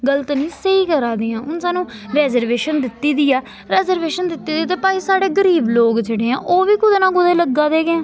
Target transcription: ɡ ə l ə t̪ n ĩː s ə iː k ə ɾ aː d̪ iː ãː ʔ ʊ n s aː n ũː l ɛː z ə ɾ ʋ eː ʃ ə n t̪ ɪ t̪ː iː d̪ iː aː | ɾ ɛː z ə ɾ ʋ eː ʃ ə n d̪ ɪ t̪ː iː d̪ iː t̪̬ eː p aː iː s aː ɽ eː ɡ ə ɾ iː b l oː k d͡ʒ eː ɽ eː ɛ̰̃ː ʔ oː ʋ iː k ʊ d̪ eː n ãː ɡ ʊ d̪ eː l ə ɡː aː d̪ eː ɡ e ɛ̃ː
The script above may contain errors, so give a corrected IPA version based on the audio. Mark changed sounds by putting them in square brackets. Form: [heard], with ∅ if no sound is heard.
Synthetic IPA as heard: ɡ ə l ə t̪ n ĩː s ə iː k ə ɾ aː d̪ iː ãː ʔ ʊ n s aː n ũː [ɾ] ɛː z ə ɾ ʋ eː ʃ ə n [d̪] ɪ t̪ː iː d̪ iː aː | ɾ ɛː z ə ɾ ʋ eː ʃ ə n d̪ ɪ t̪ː iː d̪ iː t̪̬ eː p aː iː s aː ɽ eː ɡ ə ɾ iː b l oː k d͡ʒ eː ɽ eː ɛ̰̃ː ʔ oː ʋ iː k ʊ d̪ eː n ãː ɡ ʊ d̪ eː l ə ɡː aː d̪ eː ɡ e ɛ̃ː

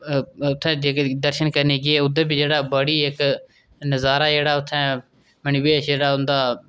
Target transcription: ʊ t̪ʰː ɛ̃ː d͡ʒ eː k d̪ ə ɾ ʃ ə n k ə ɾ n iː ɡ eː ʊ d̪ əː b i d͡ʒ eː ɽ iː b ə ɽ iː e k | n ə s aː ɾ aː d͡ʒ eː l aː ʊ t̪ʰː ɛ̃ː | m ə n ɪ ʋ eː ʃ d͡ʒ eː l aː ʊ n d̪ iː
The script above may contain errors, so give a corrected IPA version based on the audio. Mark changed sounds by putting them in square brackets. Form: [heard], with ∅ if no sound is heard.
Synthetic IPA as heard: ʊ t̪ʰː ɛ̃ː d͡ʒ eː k d̪ ə ɾ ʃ ə n k ə ɾ n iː ɡ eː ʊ d̪ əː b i d͡ʒ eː ɽ [aː] b ə ɽ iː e k | n ə [z] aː ɾ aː d͡ʒ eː [ɽ] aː ʊ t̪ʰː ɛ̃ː | m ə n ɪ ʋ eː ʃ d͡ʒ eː [ɽ] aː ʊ n d̪ [aː]

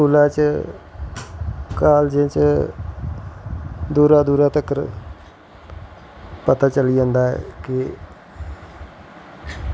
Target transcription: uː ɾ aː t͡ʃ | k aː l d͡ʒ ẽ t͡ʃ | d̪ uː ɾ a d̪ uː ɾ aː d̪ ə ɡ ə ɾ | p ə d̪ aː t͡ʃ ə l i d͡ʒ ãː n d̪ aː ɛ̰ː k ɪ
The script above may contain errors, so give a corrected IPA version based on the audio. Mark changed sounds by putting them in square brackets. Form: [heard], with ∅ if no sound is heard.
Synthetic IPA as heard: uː [l] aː t͡ʃ | k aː l d͡ʒ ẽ t͡ʃ | d̪ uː ɾ a d̪ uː ɾ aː [t̪] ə [k] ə ɾ | p ə [t̪] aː t͡ʃ ə l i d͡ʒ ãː n d̪ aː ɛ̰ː k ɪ

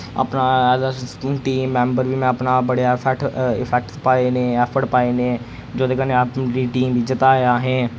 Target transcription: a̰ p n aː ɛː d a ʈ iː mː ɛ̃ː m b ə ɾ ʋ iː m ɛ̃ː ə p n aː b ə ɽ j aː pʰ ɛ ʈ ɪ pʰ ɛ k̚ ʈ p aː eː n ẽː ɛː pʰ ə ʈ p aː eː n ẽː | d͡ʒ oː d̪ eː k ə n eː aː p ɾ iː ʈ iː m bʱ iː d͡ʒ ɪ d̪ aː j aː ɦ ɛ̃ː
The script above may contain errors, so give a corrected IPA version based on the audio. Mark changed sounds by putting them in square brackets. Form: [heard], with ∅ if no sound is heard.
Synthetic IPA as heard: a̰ p n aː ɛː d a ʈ iː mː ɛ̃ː m b ə ɾ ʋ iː m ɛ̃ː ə p n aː b ə ɽ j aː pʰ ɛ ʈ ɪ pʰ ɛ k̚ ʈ p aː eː n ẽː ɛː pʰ ə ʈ p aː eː n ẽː | d͡ʒ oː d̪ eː k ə n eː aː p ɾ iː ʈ iː m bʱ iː d͡ʒ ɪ [t̪] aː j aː ɦ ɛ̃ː

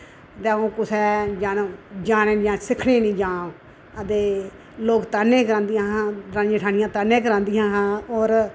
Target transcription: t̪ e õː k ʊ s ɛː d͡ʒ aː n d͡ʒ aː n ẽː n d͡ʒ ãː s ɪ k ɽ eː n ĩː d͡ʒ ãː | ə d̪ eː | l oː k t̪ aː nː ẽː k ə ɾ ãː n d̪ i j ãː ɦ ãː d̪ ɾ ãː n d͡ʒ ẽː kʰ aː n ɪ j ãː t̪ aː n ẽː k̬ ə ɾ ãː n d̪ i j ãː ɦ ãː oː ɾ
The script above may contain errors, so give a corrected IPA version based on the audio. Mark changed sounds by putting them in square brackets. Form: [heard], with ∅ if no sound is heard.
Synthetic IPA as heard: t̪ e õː k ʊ s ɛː d͡ʒ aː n d͡ʒ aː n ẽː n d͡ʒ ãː s ɪ [kʰ] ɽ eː n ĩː d͡ʒ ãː | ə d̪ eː | l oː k t̪ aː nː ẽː k ə ɾ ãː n d̪ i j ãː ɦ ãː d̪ ɾ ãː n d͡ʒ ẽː [ʈʰ] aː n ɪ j ãː t̪ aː n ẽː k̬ ə ɾ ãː n d̪ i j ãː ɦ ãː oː ɾ

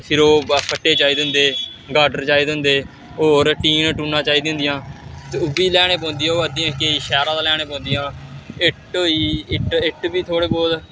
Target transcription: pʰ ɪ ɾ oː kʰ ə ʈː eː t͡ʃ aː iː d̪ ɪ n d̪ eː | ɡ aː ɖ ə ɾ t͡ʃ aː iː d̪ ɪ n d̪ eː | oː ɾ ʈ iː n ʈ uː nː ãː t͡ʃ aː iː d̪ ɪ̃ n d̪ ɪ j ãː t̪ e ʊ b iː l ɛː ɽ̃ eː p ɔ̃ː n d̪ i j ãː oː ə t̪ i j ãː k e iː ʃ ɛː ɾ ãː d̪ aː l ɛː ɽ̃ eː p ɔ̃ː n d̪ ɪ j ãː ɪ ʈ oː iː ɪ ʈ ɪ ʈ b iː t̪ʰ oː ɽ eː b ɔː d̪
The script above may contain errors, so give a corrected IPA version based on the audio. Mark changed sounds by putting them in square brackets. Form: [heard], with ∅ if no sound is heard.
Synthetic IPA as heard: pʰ ɪ ɾ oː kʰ ə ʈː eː t͡ʃ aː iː d̪ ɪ n d̪ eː | ɡ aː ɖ ə ɾ t͡ʃ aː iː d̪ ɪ n d̪ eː | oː ɾ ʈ iː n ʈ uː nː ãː t͡ʃ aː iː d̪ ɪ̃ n d̪ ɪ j ãː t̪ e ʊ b iː l ɛː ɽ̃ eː p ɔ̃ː n d̪ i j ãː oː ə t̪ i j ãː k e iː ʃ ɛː ɾ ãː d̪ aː l ɛː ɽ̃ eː p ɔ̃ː n d̪ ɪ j ãː ɪ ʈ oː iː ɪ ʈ ɪ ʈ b iː t̪ʰ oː ɽ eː b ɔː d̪

